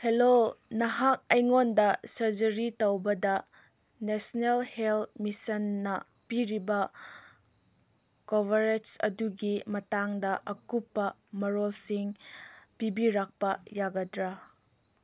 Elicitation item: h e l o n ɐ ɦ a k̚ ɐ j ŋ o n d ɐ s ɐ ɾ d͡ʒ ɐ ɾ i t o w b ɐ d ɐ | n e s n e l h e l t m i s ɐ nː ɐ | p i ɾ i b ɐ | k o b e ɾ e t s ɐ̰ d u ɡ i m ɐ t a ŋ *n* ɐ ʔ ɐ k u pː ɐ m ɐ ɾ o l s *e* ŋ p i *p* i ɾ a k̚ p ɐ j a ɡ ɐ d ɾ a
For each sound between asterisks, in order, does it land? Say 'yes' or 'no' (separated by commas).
no, no, no